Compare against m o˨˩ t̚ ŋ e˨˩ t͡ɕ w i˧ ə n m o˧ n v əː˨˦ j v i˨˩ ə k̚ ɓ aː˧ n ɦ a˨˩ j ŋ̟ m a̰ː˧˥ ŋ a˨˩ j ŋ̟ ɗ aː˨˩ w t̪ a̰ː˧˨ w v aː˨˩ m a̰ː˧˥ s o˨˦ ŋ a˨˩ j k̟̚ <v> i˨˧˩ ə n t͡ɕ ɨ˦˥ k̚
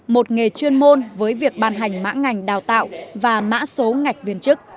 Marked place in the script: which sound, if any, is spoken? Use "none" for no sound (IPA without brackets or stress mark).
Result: v